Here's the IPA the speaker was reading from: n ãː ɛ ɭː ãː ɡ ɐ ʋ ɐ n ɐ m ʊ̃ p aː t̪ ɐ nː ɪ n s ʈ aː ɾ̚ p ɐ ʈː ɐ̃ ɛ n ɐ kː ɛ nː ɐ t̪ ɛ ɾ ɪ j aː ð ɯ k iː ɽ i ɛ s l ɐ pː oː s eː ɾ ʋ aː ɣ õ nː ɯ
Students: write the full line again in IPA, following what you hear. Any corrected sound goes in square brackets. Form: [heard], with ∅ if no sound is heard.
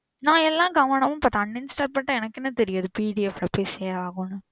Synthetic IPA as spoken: n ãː ɛ [lː] ãː ɡ ɐ ʋ ɐ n ɐ m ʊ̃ p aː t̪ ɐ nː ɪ n s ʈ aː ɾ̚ p ɐ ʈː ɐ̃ ɛ n ɐ kː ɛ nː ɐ t̪ ɛ ɾ ɪ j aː ð ɯ [p] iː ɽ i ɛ [f] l ɐ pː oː s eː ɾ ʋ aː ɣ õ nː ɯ

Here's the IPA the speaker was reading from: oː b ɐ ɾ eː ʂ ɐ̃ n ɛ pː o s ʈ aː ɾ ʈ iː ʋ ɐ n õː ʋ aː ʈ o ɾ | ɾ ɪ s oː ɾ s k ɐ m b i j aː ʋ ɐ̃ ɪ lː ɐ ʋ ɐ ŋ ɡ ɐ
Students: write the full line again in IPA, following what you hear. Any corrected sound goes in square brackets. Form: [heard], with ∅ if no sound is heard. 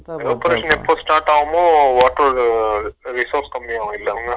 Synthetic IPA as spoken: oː [p] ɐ ɾ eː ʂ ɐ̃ n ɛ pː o s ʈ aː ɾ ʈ [aː] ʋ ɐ [m] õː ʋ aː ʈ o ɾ | ɾ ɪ s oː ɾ s k ɐ m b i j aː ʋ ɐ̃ ɪ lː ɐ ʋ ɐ ŋ ɡ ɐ

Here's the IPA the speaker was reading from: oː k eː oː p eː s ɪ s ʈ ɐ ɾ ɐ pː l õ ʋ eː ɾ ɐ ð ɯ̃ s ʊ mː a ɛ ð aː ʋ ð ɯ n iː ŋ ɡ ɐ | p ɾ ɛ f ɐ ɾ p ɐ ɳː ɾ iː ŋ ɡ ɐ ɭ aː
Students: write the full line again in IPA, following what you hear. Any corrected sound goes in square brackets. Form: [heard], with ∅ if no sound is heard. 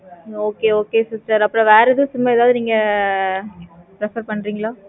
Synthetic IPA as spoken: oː k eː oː [k] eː s ɪ s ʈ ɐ ɾ ɐ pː [ɾ] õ ʋ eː ɾ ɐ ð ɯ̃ s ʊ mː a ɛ ð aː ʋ ð ɯ n iː ŋ ɡ ɐ | p ɾ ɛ f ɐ ɾ p ɐ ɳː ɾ iː ŋ ɡ ɐ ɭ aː

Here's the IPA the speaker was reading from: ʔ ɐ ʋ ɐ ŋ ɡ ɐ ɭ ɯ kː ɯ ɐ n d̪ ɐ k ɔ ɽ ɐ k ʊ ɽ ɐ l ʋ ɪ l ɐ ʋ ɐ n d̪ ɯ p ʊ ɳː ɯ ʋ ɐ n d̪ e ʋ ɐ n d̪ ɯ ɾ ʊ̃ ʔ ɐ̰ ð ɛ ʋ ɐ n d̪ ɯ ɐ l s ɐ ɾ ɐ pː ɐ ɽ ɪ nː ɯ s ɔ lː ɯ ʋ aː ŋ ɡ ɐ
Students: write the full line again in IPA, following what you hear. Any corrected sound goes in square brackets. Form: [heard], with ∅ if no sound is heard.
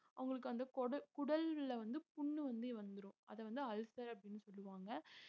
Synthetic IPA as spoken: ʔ ɐ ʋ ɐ ŋ ɡ ɐ ɭ ɯ kː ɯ ɐ n d̪ ɐ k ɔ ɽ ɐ k ʊ ɽ ɐ l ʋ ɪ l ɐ ʋ ɐ n d̪ ɯ p ʊ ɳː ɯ ʋ ɐ n d̪ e ʋ ɐ n d̪ ɯ ɾ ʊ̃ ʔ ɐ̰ ð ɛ ʋ ɐ n d̪ ɯ ɐ l s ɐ ɾ ɐ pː ɐ ɽ ɪ nː ɯ s ɔ lː ɯ ʋ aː ŋ ɡ ɐ

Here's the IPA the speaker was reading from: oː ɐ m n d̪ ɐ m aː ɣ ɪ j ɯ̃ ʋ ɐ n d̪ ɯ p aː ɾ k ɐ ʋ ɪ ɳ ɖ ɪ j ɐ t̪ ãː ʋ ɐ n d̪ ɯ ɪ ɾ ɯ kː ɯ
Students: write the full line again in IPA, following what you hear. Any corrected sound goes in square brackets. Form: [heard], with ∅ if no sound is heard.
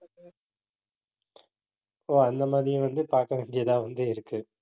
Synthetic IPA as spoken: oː ɐ [∅] n d̪ ɐ m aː [ð] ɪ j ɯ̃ ʋ ɐ n d̪ ɯ p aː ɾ k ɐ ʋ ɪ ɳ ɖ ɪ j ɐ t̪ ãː ʋ ɐ n d̪ ɯ ɪ ɾ ɯ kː ɯ

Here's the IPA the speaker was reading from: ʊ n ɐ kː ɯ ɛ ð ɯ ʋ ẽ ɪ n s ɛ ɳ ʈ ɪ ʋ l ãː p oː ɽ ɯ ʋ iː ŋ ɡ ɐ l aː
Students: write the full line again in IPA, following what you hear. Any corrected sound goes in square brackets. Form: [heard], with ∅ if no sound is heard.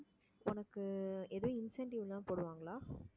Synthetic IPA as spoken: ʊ n ɐ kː ɯ ɛ ð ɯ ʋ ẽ ɪ n s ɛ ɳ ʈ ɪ ʋ l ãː p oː ɽ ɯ ʋ [aː] ŋ ɡ ɐ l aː

